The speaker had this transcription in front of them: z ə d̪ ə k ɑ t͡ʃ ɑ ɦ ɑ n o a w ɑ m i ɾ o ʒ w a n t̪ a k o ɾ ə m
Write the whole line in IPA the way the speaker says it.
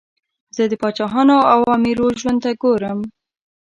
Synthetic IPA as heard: z ə d̪ ə p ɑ t͡ʃ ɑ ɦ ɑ n o a w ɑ m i ɾ o ʒ w a n t̪ a ɡ o ɾ ə m